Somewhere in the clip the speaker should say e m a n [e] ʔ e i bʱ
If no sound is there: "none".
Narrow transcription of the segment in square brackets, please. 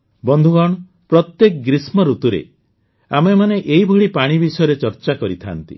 e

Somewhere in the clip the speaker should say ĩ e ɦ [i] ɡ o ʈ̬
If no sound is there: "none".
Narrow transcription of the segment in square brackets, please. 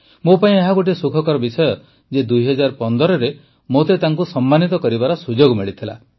a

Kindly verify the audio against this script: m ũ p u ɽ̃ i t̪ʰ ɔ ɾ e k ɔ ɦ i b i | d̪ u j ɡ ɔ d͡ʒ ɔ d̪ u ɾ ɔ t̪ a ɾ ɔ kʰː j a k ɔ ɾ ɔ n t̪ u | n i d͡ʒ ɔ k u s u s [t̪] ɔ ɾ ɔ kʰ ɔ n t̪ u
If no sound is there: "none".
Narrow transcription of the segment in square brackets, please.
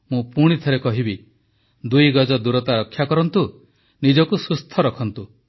t̪ʰ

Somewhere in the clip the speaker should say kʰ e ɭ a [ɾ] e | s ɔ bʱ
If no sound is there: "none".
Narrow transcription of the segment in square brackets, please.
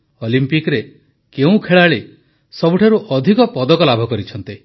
ɭ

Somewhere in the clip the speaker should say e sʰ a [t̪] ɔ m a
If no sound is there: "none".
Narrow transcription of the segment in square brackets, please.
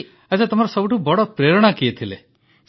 t̪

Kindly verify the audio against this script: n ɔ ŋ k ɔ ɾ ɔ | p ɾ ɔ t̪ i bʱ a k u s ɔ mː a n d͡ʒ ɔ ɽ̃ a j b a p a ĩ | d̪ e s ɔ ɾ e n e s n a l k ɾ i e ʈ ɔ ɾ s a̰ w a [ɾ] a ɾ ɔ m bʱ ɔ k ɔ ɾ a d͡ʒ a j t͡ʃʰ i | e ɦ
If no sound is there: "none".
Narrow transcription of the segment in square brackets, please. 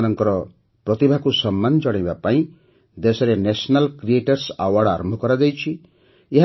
ɽ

